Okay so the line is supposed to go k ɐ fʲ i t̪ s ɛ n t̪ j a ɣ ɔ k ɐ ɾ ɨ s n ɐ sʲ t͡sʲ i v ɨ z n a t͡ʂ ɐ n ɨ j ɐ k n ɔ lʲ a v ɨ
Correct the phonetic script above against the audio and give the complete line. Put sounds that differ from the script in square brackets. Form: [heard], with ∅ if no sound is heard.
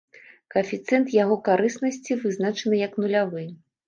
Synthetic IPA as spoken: k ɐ fʲ i t̪ s ɛ n t̪ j a ɣ ɔ k [a] ɾ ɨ s n ɐ sʲ t͡sʲ i v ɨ z n a t͡ʂ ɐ n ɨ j ɐ k n [u] lʲ a v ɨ